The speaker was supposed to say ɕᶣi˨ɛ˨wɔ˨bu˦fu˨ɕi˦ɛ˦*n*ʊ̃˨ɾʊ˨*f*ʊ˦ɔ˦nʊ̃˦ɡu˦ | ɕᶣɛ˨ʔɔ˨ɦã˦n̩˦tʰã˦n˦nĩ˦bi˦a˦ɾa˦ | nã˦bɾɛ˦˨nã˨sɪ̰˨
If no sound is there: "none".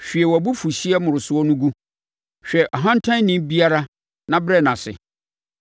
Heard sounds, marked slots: m, s

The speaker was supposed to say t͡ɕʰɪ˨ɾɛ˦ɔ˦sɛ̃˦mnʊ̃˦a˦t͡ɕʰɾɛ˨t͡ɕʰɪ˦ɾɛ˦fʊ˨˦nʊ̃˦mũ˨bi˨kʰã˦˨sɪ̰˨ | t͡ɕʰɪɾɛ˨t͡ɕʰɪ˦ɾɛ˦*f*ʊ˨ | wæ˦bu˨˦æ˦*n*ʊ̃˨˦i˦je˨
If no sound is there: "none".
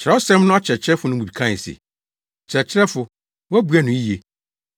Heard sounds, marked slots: f, n

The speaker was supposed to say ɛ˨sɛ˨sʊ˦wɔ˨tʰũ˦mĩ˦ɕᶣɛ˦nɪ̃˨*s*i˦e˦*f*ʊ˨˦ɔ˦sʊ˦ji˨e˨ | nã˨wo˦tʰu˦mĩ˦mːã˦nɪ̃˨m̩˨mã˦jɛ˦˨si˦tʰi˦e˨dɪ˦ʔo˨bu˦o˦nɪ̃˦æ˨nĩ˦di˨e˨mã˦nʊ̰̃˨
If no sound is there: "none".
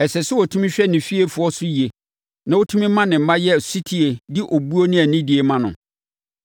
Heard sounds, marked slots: f, f

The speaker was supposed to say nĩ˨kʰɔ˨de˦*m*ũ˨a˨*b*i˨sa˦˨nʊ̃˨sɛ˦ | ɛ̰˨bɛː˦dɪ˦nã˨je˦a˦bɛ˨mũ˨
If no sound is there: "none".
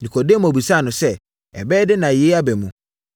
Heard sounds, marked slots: m, b

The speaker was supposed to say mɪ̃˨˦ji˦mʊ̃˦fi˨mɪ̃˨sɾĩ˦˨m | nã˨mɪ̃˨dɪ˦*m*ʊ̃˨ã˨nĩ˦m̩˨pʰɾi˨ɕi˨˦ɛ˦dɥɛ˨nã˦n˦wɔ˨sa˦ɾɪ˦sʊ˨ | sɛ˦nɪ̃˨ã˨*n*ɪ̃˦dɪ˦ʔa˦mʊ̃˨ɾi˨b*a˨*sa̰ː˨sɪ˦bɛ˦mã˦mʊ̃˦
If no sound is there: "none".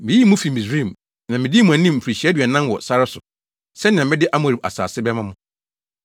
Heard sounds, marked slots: m, m, a˨

